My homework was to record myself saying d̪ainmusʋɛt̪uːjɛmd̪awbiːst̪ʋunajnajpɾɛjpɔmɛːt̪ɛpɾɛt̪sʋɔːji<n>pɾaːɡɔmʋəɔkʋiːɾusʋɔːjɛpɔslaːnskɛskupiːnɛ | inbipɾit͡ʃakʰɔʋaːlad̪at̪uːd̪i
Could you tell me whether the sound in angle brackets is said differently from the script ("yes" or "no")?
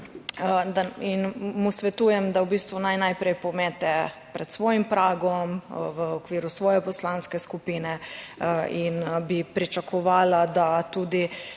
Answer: yes